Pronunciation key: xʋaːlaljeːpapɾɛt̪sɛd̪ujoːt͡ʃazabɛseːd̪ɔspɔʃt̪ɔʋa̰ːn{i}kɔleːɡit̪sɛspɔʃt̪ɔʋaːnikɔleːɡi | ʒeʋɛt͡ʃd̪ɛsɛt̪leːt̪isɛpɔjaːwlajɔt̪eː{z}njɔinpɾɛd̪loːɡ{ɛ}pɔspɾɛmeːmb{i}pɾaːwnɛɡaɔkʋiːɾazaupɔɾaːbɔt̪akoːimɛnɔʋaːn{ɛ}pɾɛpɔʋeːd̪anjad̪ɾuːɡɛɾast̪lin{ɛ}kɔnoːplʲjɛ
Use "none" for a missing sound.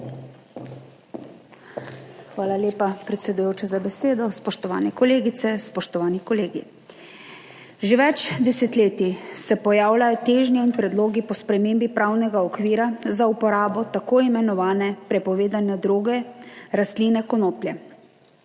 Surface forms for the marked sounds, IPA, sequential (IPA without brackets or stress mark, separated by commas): ɛ, ʒ, i, i, ɛ, ɛ